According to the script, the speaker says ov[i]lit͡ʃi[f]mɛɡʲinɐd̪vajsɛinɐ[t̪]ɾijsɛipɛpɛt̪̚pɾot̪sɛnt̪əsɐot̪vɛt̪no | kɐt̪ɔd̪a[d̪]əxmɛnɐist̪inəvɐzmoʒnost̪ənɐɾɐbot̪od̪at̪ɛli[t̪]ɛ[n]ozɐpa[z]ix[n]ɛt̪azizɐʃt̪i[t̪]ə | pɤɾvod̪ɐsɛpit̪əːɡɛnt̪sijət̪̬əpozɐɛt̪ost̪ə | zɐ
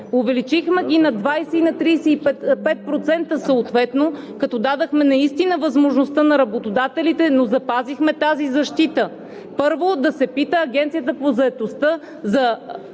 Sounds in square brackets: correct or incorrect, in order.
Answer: incorrect, incorrect, correct, correct, correct, correct, correct, incorrect, correct

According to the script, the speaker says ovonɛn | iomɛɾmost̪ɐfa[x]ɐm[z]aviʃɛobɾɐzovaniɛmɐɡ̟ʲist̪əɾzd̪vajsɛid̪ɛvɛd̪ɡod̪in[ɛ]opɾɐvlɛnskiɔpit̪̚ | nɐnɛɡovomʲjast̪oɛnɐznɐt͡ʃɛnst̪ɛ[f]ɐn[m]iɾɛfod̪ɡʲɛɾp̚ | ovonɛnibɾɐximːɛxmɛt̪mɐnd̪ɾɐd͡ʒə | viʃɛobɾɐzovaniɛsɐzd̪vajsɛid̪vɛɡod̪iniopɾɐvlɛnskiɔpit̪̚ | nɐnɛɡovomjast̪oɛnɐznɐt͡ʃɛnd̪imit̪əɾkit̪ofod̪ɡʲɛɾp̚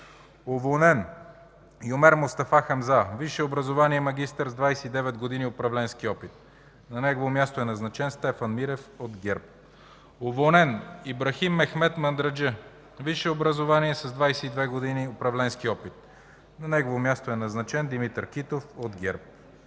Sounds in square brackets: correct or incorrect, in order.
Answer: correct, correct, incorrect, correct, correct

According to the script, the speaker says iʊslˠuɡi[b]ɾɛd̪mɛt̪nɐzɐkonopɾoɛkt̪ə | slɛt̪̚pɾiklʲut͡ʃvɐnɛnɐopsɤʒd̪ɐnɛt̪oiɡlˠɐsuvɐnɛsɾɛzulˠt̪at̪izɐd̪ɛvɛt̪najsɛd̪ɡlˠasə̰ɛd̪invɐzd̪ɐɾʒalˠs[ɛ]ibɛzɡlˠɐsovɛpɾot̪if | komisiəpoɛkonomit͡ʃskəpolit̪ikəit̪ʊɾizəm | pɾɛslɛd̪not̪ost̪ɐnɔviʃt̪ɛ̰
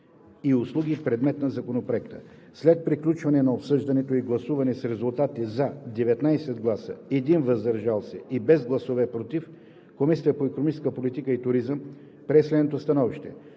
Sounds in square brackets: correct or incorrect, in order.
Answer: incorrect, correct

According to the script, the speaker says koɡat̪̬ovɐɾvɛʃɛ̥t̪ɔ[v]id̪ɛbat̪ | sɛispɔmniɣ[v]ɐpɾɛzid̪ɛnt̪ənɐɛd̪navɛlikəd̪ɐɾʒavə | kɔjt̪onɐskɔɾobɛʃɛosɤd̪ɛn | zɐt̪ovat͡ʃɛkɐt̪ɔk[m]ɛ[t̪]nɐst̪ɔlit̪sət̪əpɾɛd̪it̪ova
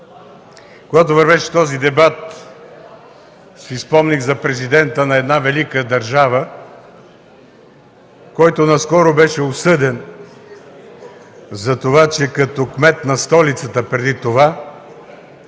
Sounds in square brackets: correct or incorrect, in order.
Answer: incorrect, incorrect, correct, correct

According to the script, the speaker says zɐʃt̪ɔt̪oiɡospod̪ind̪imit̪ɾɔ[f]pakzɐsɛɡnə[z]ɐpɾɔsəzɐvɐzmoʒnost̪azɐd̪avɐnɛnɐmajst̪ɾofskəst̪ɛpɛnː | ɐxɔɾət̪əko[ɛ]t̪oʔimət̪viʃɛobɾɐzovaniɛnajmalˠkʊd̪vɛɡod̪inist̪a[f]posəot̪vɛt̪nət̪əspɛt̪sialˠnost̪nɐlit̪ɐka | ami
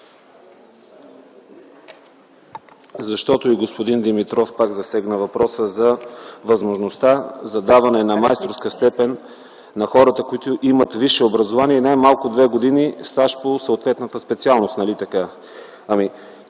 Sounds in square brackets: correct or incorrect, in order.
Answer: correct, incorrect, incorrect, incorrect

